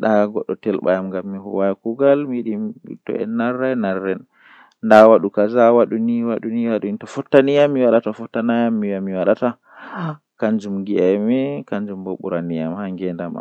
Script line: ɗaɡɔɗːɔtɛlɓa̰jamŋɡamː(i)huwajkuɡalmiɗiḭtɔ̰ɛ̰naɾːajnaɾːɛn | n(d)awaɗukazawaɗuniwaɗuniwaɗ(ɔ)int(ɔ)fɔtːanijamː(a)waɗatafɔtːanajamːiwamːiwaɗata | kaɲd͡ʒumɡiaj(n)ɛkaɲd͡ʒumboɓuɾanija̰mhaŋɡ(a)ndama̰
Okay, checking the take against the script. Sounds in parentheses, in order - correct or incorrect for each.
correct, correct, incorrect, correct, incorrect, incorrect, incorrect

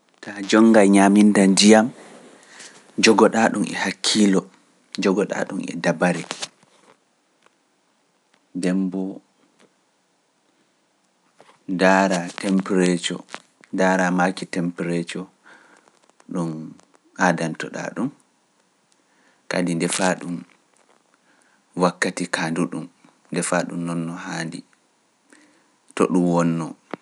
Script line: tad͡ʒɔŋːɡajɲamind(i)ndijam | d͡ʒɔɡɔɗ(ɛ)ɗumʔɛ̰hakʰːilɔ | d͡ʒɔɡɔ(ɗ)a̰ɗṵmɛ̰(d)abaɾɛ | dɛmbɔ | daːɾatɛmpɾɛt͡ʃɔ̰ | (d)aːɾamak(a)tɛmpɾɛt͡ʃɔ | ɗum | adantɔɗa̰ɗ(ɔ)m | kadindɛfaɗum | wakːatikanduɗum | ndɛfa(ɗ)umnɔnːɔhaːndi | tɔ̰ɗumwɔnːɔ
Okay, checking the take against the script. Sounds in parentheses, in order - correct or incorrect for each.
incorrect, incorrect, correct, correct, correct, incorrect, incorrect, correct

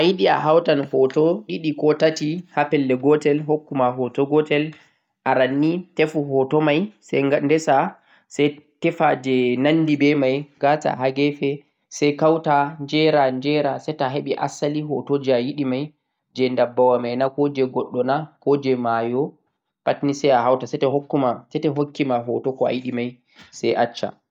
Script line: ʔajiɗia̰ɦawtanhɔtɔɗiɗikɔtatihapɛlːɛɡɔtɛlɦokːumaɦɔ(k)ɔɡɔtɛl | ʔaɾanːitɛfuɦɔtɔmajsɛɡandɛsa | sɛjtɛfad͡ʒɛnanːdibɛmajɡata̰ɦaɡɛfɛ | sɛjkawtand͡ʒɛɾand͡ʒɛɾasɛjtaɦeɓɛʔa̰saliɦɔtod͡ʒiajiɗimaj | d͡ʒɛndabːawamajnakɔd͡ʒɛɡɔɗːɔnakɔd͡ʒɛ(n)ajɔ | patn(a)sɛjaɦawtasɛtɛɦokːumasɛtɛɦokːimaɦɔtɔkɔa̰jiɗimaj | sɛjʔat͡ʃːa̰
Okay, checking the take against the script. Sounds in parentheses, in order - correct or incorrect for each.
incorrect, incorrect, incorrect

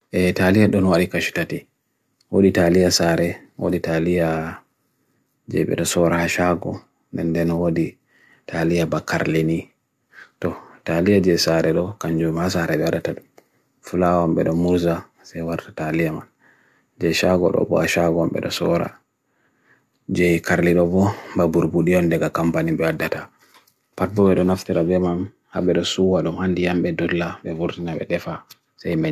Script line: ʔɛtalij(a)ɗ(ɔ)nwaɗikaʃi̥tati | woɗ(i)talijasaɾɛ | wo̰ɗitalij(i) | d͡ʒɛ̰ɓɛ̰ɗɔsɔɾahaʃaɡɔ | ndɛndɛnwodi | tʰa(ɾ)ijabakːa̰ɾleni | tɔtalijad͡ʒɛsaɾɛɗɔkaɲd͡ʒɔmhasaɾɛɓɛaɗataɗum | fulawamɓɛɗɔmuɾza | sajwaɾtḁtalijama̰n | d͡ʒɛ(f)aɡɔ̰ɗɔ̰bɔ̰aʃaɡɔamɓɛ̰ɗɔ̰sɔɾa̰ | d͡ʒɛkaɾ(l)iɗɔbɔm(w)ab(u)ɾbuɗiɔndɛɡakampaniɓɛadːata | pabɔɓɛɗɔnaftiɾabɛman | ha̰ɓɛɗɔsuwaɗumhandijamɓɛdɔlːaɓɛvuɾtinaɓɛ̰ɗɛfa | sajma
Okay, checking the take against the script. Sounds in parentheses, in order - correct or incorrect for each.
correct, correct, correct, incorrect, incorrect, incorrect, correct, incorrect, correct

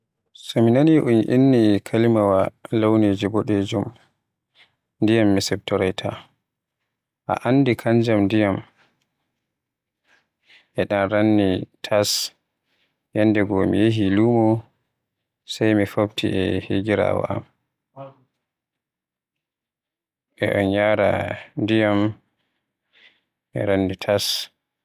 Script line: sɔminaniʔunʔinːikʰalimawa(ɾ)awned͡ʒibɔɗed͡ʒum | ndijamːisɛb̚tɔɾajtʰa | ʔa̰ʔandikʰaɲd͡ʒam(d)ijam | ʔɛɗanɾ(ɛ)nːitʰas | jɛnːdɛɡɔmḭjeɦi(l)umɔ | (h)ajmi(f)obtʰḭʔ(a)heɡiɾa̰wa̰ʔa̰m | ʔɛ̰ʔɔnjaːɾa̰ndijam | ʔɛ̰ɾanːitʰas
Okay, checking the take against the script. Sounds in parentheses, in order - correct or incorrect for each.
incorrect, correct, incorrect, correct, incorrect, correct, incorrect

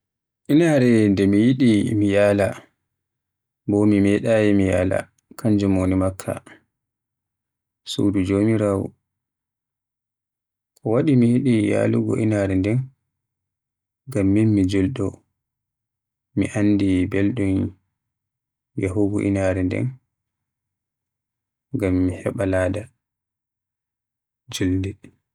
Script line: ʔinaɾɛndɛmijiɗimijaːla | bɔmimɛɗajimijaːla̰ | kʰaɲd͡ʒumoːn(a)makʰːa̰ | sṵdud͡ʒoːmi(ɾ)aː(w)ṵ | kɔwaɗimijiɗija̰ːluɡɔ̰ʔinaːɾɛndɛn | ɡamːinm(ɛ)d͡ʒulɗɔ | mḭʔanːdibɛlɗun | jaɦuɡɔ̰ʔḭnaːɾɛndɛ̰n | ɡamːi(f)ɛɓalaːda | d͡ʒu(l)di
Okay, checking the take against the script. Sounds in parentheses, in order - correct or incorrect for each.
incorrect, correct, correct, incorrect, incorrect, correct

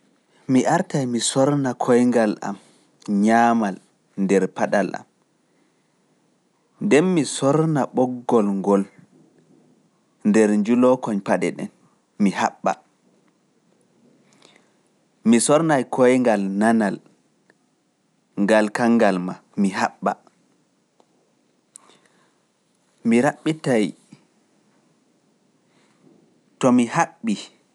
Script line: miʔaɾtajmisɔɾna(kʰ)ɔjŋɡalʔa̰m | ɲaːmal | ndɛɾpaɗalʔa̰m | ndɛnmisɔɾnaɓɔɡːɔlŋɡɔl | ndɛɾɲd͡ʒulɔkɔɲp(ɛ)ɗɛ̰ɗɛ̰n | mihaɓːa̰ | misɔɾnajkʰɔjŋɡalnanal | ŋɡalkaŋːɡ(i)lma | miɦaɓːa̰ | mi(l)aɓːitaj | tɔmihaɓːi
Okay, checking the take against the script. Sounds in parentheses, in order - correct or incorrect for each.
correct, incorrect, incorrect, incorrect

